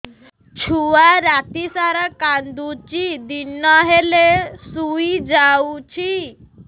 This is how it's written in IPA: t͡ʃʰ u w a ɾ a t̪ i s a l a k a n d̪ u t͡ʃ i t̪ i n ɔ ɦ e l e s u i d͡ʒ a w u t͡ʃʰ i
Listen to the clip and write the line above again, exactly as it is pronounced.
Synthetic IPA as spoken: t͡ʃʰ u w a ɾ a t̪ i s a ɾ a k a n d̪ u t͡ʃ i d̪ i n ɔ ɦ e l e s u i d͡ʒ a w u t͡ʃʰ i